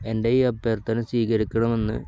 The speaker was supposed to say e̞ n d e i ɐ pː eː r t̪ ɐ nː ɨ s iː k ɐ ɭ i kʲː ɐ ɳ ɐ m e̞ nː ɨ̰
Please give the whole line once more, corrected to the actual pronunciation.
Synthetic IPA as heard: e̞ n d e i ɐ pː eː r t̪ ɐ n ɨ s iː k ɐ ɾ i kʲː ɐ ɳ ɐ m e̞ nː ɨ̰